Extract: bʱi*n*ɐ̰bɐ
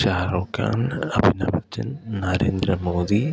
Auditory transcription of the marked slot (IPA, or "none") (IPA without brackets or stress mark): n